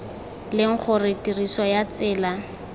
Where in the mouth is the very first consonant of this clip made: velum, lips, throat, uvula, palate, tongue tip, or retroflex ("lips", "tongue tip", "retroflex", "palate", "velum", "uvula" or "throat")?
tongue tip